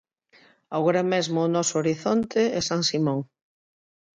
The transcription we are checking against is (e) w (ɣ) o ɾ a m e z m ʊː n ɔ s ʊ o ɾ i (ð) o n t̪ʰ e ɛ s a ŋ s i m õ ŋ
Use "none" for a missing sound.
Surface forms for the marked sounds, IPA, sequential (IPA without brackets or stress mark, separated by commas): a, ɣ, θ